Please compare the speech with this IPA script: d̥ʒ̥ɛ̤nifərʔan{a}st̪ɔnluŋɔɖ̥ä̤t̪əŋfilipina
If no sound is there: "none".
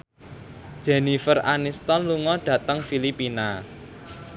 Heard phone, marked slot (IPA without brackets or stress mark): i